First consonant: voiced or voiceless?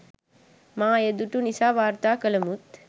voiced